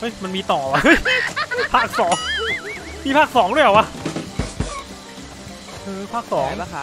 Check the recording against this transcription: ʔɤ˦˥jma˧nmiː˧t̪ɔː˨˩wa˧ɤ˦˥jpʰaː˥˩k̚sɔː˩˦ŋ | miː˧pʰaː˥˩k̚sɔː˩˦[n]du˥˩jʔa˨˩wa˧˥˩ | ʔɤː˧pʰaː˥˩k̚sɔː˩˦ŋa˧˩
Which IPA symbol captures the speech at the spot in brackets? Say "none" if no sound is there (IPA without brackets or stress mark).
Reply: ŋ